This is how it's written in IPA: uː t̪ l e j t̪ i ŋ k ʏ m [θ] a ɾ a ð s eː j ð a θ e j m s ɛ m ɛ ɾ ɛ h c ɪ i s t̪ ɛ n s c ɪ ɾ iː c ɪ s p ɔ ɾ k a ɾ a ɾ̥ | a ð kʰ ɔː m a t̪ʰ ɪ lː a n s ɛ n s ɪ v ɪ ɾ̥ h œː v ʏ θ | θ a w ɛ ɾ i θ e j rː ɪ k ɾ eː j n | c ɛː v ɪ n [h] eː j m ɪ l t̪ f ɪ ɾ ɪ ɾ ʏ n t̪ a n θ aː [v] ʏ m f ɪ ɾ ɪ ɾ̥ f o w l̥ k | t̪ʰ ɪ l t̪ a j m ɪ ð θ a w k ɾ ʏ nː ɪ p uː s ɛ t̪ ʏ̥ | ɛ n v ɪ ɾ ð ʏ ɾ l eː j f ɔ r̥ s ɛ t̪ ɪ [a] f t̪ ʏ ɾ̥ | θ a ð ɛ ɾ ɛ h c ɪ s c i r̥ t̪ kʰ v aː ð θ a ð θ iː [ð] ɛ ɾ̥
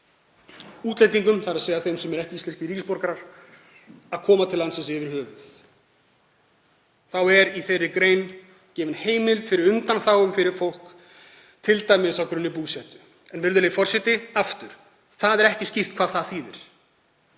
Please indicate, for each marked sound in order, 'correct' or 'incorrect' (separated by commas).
correct, correct, incorrect, correct, correct